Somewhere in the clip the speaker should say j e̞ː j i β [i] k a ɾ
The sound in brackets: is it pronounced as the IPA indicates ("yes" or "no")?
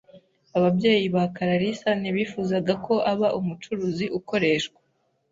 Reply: no